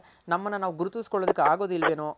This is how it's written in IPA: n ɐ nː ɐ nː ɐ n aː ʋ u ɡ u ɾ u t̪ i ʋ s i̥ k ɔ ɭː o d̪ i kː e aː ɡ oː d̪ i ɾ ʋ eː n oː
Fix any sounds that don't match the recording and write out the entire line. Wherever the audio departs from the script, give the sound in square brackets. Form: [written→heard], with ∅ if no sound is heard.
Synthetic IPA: n ɐ [nː→mː] ɐ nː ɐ n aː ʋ u ɡ u ɾ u t̪ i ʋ s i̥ k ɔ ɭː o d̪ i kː e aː ɡ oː d̪ i [ɾ→l] ʋ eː n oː